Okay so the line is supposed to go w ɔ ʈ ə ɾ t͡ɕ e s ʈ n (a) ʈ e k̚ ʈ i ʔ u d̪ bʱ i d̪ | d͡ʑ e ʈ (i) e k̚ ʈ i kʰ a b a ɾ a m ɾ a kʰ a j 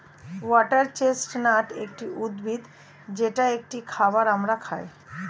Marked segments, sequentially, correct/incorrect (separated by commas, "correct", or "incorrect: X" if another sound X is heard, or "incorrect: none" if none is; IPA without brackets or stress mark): correct, incorrect: a